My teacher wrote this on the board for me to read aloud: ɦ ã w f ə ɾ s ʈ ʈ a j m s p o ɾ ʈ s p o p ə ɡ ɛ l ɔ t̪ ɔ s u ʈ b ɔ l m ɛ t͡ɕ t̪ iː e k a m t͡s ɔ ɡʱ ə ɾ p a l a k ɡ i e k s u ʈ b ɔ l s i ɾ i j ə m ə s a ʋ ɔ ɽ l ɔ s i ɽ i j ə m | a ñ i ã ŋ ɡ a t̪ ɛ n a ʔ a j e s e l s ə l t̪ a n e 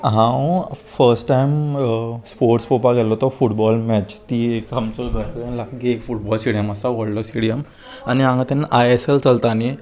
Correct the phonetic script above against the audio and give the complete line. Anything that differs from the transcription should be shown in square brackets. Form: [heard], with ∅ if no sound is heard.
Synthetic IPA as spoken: ɦ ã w f ə ɾ s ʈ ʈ a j m s p o ɾ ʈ s p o p [a] ɡ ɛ l ɔ t̪ ɔ [f] u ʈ b ɔ l m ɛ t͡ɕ t̪ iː e k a m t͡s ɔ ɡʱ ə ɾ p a l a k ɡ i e k [f] u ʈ b ɔ l s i [ɽ] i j ə m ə s a ʋ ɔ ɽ l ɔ s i ɽ i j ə m | a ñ i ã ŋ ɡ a t̪ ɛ n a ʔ a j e s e l [t͡s] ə l t̪ a n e